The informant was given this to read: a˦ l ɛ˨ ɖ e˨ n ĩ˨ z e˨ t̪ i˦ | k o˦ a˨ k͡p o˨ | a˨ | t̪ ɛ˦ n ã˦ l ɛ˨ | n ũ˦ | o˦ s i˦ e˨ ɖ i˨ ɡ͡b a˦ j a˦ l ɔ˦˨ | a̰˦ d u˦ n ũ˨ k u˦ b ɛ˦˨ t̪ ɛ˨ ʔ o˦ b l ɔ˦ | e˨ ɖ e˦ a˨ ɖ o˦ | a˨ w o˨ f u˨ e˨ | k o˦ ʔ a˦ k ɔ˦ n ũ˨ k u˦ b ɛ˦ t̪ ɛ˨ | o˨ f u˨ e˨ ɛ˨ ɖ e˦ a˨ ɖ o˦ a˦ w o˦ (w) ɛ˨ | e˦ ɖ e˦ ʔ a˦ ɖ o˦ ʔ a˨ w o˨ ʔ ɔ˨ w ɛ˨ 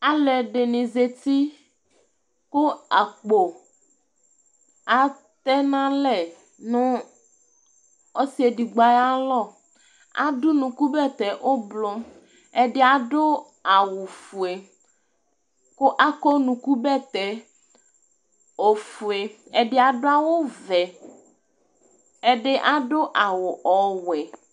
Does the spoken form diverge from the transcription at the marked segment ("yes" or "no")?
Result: yes